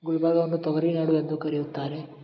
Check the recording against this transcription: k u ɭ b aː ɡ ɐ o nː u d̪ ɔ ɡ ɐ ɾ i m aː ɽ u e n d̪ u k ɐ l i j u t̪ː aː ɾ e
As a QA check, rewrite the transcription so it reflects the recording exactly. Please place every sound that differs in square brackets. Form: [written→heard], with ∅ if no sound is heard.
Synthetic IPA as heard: [k→ɡ] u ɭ b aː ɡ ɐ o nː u [d̪→t̪] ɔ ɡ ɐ ɾ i [m→n] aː ɽ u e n d̪ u k ɐ [l→ɾ] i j u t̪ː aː ɾ e